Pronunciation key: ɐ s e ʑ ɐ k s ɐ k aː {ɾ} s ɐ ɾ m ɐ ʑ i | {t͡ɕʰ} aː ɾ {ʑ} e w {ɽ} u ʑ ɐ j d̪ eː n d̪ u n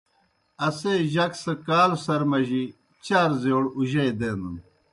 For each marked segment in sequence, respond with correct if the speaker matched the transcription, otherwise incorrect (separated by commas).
incorrect, incorrect, incorrect, correct